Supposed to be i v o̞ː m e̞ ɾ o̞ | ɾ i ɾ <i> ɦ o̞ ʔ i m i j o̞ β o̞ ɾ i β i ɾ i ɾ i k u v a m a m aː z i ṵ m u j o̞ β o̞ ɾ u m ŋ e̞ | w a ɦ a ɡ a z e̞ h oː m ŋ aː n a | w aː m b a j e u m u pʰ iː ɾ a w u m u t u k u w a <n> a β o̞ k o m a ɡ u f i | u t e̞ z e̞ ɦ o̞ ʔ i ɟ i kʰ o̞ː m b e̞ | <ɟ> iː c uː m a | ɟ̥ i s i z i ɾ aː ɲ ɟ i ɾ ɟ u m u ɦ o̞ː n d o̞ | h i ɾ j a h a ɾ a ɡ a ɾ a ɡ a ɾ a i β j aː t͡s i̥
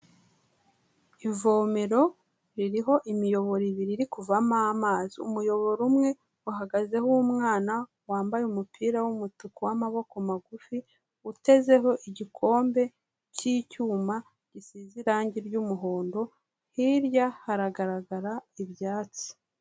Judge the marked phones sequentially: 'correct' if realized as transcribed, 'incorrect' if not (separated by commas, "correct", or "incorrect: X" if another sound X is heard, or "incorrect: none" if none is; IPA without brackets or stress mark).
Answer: correct, incorrect: m, incorrect: c